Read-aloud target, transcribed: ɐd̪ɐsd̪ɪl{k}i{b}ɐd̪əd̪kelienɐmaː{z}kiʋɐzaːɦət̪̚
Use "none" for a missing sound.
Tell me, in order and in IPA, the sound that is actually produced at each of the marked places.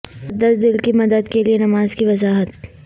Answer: k, m, z

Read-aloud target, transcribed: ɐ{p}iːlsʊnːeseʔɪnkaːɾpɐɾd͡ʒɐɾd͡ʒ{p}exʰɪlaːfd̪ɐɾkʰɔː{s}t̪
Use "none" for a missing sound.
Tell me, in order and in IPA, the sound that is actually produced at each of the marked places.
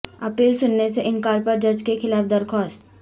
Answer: p, k, s

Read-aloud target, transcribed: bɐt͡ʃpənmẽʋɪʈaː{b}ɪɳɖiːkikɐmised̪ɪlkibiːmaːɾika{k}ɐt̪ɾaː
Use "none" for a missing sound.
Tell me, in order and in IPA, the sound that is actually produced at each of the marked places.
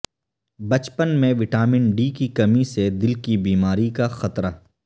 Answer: m, x

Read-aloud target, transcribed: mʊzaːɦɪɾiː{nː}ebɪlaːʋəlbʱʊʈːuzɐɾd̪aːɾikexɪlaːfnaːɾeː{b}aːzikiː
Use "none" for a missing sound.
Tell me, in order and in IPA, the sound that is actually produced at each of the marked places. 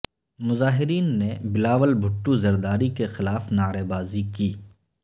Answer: nː, b

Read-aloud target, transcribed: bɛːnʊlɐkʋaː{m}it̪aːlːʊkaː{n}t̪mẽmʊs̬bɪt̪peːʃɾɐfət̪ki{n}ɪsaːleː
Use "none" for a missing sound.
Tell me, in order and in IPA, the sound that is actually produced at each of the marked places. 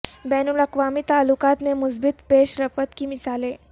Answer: m, none, m

